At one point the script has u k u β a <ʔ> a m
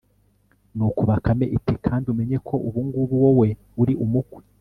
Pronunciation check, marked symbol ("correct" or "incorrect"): incorrect